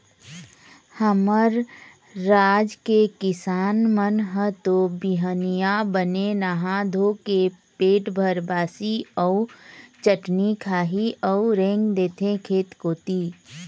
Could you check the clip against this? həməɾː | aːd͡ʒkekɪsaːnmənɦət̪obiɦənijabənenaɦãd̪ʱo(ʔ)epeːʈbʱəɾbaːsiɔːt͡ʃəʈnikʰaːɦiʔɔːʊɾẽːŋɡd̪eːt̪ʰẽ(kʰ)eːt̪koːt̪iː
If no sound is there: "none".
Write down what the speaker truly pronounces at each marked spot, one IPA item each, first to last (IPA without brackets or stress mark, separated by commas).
k, kʰ